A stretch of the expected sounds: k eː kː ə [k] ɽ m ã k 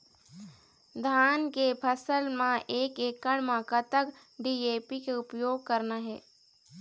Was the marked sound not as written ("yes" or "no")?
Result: yes